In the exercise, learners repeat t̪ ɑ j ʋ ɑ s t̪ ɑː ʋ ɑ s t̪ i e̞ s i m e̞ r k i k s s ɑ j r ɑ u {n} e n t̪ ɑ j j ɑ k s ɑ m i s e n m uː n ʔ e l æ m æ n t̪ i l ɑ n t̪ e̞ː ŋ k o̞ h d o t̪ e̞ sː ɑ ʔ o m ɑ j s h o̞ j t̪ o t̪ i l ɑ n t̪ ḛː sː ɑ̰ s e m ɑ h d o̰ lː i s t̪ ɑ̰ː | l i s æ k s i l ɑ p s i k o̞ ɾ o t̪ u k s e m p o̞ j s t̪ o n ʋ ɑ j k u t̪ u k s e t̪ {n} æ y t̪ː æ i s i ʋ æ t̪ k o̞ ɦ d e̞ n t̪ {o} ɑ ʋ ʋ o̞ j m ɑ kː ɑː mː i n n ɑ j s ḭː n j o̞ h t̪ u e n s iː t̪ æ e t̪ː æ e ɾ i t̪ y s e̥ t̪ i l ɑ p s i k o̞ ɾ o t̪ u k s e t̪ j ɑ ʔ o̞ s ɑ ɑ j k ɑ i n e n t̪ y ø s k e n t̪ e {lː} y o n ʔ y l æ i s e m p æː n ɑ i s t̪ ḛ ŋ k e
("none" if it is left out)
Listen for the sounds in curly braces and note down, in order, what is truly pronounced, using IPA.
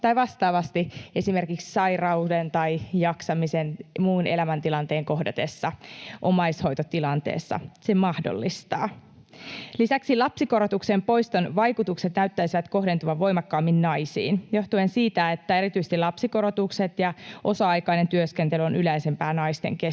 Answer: d, n, u, l

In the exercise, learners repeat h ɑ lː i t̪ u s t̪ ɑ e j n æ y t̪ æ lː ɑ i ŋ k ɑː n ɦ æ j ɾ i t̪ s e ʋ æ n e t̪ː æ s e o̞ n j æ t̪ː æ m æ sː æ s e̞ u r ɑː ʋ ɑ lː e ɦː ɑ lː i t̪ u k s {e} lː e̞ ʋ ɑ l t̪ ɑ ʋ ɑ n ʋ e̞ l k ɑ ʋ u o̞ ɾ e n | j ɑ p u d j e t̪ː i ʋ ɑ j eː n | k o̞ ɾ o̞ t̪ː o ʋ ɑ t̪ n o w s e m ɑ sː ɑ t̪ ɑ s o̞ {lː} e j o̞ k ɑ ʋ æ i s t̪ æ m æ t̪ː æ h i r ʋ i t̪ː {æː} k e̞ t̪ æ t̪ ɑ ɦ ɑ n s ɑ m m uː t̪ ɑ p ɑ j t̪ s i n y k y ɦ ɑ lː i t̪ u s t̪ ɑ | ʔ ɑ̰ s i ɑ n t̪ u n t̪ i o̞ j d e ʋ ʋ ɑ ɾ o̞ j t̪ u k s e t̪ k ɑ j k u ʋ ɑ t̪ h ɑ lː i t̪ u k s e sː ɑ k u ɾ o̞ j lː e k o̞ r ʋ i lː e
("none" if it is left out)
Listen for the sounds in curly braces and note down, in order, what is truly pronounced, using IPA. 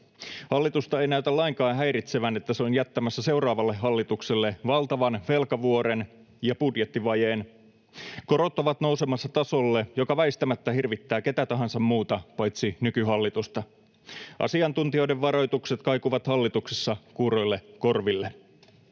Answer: e, lː, æː

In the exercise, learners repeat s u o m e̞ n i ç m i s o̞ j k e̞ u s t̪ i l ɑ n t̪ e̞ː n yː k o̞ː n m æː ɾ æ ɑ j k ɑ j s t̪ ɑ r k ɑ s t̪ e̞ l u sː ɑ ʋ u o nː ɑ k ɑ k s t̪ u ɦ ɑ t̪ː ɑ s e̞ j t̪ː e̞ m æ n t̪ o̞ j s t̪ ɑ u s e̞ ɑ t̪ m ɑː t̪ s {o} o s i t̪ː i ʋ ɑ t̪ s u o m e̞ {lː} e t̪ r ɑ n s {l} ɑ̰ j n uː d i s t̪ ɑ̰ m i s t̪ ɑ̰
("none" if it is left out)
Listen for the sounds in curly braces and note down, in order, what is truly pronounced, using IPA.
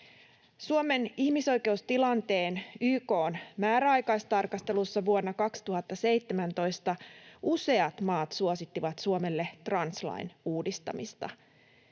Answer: u, lː, l

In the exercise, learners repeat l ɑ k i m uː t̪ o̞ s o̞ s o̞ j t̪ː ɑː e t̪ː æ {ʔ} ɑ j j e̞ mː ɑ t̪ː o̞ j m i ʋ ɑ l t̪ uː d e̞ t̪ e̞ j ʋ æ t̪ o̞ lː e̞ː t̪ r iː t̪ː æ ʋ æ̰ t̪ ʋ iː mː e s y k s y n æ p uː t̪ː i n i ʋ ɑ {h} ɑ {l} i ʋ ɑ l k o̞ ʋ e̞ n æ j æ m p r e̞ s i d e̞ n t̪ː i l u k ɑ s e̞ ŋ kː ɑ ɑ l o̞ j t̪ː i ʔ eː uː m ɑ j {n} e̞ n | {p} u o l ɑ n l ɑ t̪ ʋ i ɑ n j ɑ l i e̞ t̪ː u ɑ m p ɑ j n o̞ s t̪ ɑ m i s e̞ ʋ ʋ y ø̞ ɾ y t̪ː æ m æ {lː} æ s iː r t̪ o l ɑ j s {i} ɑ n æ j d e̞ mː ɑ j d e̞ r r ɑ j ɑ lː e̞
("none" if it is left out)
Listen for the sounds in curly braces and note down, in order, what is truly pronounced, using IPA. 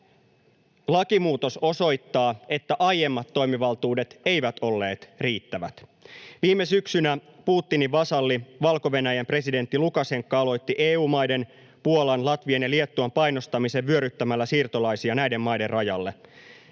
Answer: ʔ, s, lː, d, p, lː, i

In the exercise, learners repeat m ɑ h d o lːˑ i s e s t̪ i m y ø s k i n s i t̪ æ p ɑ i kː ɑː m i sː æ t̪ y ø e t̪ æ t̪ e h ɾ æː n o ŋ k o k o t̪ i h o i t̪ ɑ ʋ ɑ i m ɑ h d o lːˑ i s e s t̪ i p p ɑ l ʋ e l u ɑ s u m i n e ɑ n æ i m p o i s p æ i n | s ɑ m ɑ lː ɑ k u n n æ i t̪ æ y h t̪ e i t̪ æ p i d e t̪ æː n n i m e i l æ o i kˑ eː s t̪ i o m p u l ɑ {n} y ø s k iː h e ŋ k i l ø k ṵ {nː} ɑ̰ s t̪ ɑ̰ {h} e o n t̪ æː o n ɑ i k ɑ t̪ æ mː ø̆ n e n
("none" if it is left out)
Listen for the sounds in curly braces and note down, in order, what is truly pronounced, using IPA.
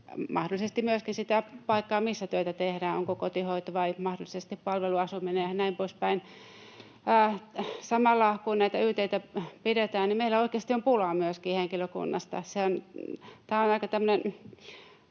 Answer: m, nː, s

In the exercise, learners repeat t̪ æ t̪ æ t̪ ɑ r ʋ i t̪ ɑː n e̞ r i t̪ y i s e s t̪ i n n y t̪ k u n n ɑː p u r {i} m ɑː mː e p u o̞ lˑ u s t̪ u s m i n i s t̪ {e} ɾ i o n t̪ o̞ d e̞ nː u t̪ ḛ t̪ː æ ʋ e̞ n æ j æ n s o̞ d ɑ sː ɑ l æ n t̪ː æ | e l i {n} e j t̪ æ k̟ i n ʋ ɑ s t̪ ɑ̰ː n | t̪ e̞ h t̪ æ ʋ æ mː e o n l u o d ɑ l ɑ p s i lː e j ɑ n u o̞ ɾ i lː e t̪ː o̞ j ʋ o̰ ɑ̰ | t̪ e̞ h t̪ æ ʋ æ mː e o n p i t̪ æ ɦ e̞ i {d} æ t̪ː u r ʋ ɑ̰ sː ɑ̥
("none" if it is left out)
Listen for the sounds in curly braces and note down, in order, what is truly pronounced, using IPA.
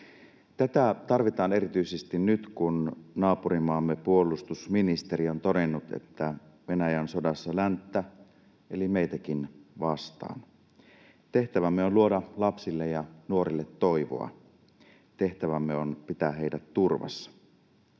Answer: i, e, m, d

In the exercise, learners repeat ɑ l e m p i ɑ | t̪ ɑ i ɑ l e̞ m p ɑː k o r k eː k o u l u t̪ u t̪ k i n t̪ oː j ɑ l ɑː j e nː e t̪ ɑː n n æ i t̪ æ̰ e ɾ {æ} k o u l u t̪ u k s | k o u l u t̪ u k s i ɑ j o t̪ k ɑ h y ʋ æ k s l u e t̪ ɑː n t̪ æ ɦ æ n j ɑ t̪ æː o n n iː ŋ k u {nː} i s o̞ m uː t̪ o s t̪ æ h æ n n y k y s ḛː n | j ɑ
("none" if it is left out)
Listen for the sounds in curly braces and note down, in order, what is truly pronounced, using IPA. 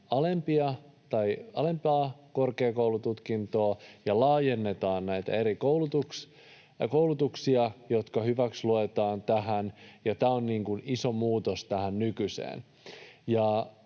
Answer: i, n

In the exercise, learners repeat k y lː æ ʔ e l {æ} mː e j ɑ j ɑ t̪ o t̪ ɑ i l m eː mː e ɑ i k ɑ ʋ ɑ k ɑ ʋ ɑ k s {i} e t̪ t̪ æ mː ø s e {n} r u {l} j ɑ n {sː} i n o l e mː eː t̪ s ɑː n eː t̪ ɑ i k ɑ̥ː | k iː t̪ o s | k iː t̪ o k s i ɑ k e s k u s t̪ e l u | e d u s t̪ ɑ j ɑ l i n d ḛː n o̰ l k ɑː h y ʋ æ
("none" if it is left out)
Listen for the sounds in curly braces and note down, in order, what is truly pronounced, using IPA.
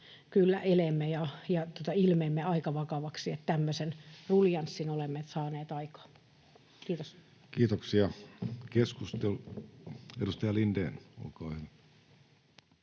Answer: e, i, n, l, sː

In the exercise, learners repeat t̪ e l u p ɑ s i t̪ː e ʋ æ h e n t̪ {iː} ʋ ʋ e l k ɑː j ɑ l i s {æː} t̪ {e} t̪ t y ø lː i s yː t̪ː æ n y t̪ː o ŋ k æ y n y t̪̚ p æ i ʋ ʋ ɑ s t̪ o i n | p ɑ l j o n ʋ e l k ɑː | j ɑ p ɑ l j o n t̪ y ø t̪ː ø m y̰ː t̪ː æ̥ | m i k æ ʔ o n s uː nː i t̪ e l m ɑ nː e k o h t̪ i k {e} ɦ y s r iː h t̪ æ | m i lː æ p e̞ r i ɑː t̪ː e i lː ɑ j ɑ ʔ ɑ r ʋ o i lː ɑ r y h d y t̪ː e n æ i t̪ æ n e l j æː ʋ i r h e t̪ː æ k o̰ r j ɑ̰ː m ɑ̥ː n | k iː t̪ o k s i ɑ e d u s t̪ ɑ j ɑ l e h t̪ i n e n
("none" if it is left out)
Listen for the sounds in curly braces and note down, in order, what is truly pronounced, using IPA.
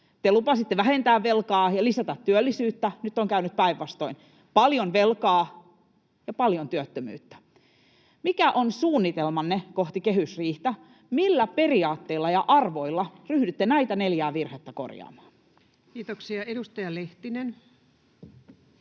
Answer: æː, æ, æ, e

